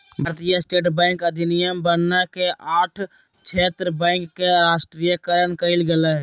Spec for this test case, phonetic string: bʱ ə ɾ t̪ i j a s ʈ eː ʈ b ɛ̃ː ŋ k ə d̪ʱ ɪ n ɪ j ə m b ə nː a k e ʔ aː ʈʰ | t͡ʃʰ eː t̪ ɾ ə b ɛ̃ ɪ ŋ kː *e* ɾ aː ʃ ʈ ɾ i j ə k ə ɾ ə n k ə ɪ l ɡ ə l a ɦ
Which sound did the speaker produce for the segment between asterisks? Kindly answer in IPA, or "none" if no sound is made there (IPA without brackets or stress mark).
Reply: e